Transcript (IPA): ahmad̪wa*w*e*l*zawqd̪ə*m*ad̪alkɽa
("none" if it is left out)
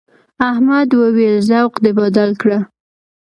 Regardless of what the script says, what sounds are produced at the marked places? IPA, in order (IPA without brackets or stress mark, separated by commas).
w, l, b